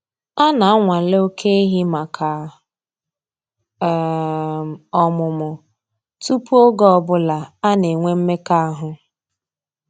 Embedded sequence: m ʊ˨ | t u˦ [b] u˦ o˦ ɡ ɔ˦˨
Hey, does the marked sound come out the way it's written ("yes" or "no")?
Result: no